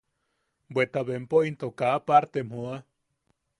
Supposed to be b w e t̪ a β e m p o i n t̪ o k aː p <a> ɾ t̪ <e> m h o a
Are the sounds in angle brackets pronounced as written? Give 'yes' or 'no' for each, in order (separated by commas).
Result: yes, yes